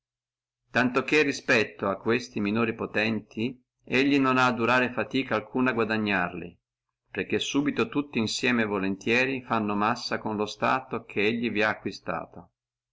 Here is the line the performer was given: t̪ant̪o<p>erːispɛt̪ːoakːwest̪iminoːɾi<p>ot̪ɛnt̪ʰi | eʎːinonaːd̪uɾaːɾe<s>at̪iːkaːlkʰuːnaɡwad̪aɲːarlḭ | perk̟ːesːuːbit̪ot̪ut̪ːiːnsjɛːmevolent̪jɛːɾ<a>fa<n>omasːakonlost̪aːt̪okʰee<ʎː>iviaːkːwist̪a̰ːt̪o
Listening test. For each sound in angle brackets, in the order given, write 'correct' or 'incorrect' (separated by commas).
incorrect, correct, incorrect, incorrect, incorrect, correct